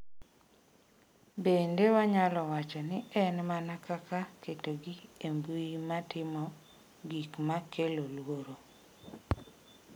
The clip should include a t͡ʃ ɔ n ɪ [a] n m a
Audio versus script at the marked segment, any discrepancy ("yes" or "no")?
yes